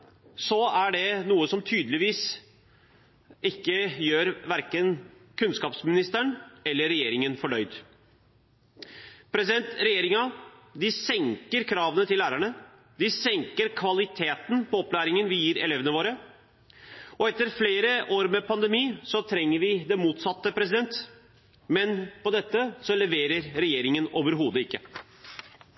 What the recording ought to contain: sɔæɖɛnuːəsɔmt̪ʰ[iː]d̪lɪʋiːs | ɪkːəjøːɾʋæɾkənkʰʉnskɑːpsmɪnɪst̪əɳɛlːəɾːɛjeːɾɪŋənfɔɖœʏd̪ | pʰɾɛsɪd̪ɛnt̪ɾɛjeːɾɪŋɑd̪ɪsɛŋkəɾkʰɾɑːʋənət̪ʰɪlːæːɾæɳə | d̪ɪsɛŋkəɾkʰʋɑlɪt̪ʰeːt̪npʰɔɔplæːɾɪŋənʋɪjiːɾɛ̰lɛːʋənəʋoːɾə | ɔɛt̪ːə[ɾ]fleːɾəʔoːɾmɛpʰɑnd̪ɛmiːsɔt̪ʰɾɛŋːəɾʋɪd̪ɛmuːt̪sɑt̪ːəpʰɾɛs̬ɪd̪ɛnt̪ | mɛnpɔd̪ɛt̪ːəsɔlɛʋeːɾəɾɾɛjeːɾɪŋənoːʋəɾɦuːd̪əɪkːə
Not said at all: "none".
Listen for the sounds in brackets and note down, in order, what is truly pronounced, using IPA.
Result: yː, ɾ

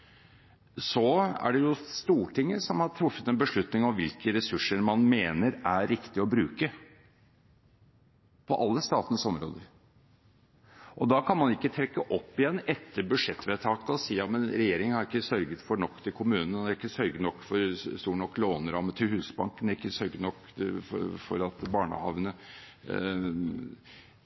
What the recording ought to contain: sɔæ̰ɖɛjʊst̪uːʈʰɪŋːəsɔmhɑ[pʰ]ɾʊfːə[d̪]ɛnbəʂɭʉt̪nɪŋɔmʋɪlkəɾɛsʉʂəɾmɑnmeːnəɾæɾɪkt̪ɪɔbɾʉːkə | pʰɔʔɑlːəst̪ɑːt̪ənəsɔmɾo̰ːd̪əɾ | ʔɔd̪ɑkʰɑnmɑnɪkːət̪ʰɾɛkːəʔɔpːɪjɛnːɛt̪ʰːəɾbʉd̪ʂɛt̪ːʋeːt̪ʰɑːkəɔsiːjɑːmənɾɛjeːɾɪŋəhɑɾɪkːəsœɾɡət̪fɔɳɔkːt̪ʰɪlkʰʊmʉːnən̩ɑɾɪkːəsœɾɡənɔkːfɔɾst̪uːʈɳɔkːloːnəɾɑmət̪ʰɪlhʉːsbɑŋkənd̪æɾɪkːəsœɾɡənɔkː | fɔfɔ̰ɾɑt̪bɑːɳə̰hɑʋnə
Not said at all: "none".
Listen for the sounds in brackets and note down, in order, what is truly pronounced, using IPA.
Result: ʈʰ, t̪

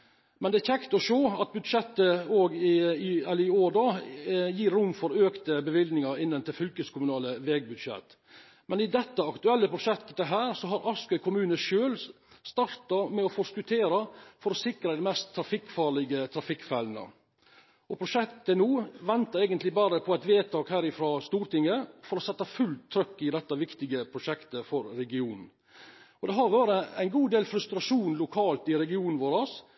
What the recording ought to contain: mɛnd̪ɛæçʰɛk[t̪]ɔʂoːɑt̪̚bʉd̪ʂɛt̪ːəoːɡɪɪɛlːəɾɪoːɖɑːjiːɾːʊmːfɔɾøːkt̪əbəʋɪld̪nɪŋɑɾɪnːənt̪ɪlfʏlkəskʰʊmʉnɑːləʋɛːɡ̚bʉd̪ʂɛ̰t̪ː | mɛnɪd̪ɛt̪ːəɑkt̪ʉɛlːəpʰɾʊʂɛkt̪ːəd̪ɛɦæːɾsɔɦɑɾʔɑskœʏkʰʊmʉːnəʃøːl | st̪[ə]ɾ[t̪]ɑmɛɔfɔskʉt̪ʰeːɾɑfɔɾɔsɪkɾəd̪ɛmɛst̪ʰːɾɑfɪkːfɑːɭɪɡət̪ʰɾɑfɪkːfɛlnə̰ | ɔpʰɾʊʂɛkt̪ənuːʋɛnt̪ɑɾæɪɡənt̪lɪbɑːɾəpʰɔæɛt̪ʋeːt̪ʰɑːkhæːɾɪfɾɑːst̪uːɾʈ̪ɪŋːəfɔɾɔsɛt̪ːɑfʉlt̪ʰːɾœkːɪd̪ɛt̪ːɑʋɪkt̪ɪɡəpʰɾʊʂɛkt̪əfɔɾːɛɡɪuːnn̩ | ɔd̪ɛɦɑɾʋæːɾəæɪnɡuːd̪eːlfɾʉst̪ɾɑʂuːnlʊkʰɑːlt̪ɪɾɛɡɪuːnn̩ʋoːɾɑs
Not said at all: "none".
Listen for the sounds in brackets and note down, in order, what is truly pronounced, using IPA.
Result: t̪, ɑ, t̪

